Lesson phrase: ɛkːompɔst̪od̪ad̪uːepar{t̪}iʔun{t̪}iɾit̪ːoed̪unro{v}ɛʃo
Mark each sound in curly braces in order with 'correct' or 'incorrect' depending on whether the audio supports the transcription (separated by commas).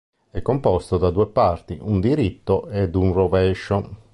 correct, incorrect, correct